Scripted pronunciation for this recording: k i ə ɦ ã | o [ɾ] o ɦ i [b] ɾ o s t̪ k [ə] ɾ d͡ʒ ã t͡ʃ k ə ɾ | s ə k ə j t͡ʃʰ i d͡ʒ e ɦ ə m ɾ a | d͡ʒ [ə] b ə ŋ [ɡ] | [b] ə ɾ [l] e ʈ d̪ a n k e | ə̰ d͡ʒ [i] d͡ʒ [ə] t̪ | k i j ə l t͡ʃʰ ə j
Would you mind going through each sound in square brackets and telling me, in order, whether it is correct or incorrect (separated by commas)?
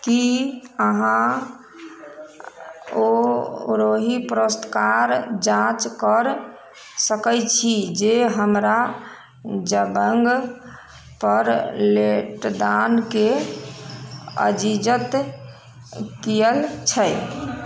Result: correct, incorrect, incorrect, correct, correct, incorrect, correct, correct, correct